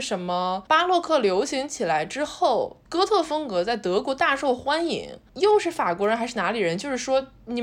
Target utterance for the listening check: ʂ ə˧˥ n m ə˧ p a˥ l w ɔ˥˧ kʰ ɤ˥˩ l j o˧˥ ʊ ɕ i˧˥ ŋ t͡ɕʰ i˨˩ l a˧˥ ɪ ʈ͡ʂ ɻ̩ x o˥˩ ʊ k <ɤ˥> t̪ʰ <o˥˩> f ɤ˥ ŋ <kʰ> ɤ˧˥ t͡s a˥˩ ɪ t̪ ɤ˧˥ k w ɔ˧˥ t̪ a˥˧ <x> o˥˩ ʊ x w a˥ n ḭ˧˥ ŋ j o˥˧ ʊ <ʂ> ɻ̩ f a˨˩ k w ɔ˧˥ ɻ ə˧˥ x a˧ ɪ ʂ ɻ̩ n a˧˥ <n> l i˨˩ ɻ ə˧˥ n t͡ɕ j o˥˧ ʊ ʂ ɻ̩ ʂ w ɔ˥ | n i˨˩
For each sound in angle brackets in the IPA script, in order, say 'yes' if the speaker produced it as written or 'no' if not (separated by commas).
yes, no, no, no, yes, no